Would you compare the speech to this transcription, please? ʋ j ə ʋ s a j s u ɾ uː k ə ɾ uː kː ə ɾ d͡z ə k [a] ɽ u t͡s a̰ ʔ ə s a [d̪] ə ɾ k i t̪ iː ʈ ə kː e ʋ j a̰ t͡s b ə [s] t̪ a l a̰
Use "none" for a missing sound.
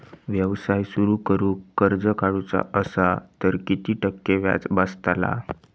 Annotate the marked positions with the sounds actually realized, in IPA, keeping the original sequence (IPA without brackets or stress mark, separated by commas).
a, t̪, s